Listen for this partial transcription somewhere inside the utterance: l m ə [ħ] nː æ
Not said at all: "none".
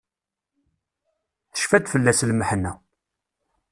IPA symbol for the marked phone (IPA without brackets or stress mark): ħ